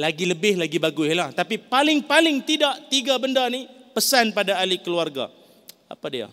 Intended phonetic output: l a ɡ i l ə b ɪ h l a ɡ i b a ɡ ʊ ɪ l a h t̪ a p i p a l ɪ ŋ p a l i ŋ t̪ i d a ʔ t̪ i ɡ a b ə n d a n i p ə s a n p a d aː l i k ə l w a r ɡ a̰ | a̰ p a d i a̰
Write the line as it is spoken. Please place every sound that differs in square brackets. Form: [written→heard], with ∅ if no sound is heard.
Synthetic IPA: l a ɡ i l ə b ɪ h l a ɡ i b a ɡ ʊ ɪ l a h t̪ a p i p a l ɪ ŋ p a l [i→ɪ] ŋ t̪ i d a ʔ t̪ i ɡ a b ə n d a n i p ə s a n p a d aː l i k ə l [w→u] a r ɡ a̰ | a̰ p a d i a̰